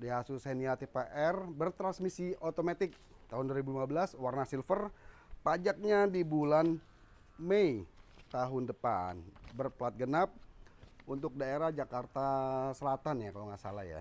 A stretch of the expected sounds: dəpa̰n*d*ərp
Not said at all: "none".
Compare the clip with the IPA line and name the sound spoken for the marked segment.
b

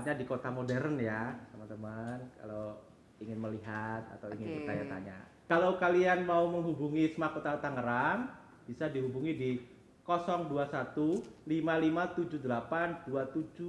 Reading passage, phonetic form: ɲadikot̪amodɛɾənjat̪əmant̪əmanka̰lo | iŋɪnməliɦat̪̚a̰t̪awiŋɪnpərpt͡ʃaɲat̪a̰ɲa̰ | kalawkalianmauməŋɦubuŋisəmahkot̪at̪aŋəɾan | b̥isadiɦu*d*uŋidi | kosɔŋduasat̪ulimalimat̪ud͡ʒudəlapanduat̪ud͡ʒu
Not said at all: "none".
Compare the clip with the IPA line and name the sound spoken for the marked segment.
b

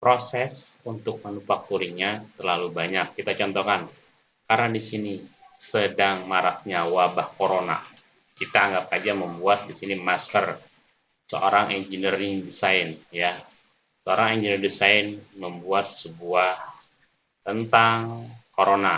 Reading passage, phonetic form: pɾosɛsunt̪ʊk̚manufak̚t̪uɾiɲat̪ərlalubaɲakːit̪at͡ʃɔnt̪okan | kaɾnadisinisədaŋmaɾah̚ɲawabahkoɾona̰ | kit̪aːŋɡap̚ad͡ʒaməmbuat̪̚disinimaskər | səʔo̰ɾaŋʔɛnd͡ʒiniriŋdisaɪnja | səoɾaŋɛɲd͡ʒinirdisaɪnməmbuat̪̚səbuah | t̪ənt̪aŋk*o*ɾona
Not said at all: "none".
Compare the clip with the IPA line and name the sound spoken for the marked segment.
o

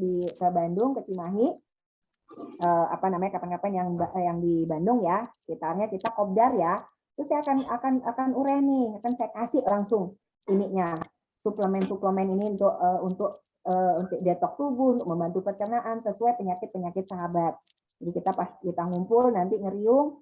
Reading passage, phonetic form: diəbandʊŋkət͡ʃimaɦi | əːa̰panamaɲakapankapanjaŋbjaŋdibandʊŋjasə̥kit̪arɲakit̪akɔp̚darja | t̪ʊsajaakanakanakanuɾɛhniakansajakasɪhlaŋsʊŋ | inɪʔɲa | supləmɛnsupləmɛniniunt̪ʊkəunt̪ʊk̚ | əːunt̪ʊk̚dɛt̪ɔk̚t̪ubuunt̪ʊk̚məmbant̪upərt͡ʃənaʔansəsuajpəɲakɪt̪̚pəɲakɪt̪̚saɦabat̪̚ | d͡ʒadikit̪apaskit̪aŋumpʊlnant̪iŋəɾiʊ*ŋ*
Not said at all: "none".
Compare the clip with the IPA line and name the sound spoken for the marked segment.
ŋ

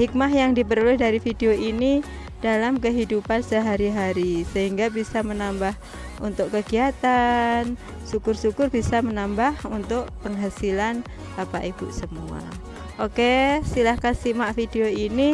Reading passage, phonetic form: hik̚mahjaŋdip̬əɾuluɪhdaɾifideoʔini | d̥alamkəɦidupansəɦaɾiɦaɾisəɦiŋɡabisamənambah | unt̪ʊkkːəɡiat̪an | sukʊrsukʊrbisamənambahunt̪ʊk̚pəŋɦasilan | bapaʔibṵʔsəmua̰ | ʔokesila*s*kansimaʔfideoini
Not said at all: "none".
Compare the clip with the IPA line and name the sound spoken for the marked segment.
h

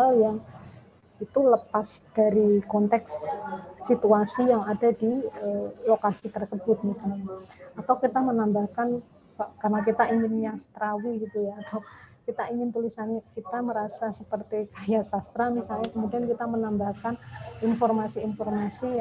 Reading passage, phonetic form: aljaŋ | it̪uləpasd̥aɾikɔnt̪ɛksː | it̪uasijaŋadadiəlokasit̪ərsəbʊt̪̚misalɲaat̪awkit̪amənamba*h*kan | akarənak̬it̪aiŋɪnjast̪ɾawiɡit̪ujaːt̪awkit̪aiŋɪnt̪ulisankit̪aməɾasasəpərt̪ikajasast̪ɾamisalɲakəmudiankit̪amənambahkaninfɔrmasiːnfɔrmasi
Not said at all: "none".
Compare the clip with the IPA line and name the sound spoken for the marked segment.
h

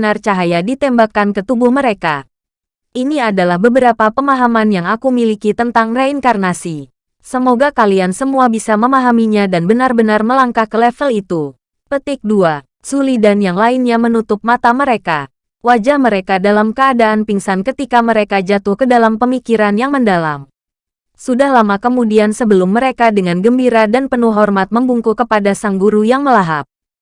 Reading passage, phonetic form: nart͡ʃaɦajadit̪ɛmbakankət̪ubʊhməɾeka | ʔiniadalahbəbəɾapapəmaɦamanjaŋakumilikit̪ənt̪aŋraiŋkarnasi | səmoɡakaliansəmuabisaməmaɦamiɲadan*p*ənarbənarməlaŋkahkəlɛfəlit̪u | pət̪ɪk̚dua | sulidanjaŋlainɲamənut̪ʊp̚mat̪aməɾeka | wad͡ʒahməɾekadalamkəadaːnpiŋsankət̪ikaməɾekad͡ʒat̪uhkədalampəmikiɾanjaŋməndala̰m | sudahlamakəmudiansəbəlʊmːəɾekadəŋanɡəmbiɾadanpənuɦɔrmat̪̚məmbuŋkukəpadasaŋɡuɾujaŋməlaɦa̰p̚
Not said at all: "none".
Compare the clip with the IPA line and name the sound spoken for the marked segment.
b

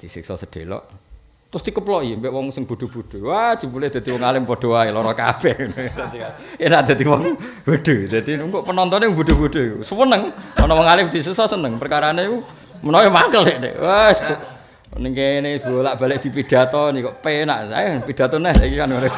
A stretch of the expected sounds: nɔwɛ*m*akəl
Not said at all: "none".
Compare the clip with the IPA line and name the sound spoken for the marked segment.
m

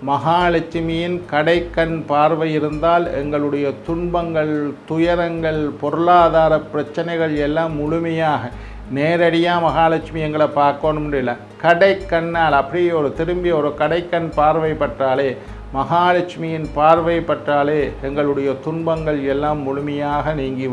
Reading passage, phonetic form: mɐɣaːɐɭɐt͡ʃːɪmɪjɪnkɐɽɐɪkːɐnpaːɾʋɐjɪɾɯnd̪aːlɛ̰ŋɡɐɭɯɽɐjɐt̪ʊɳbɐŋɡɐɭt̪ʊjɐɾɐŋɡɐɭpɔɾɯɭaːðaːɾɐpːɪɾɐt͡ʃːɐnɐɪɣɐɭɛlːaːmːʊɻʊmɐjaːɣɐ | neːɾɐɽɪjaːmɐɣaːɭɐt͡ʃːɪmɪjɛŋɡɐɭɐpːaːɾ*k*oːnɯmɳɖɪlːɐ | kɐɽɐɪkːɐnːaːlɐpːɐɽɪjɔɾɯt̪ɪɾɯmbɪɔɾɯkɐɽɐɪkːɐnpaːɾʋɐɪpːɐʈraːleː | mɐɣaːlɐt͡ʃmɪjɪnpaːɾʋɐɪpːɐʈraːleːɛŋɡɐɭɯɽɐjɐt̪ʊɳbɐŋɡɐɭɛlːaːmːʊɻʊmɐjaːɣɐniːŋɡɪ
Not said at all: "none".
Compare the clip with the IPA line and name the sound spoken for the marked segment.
k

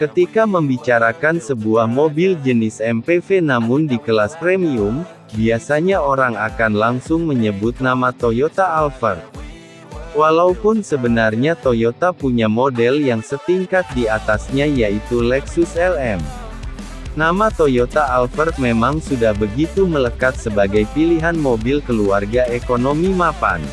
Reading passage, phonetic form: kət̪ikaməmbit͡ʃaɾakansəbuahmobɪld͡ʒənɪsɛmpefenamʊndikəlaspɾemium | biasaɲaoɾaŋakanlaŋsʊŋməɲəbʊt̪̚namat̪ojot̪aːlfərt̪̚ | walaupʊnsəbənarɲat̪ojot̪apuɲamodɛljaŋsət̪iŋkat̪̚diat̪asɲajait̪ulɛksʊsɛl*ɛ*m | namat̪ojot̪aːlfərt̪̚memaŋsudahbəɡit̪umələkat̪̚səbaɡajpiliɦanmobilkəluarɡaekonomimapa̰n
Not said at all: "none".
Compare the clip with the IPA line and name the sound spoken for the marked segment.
ɛ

